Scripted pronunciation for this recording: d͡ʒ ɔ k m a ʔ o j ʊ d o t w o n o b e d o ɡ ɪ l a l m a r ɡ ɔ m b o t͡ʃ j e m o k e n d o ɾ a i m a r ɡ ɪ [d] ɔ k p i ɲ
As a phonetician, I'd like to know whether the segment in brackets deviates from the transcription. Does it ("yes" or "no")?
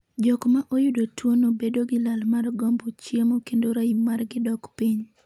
no